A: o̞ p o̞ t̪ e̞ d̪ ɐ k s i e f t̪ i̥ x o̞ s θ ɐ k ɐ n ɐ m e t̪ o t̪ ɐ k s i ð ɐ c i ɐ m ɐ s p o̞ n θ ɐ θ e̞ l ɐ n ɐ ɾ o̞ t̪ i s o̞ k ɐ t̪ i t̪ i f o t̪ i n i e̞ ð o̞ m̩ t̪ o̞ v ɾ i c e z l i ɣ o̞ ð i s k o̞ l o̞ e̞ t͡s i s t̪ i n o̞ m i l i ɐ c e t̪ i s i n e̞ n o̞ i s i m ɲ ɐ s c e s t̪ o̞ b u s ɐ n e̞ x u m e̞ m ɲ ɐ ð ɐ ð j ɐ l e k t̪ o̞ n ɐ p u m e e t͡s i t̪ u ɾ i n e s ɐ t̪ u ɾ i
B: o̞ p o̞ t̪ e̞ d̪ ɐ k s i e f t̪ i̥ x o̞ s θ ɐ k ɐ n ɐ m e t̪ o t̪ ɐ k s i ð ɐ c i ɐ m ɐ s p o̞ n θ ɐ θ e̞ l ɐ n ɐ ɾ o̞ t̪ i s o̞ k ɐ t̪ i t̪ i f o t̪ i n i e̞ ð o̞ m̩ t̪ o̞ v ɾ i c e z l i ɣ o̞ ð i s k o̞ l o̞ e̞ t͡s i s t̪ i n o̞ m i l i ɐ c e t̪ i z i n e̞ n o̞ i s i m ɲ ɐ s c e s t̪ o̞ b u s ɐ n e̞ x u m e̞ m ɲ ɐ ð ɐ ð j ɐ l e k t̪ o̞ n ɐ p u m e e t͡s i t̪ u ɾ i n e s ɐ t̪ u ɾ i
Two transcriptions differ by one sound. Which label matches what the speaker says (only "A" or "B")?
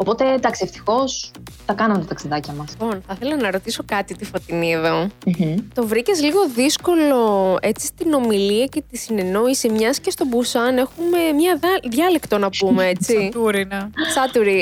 A